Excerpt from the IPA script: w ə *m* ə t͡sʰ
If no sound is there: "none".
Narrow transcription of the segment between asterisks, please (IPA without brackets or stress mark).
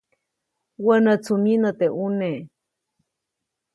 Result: n